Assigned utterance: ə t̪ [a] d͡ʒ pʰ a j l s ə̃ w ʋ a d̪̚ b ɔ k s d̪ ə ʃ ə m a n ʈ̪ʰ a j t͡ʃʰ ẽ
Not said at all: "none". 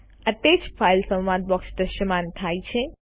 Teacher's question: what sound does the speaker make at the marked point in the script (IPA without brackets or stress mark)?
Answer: e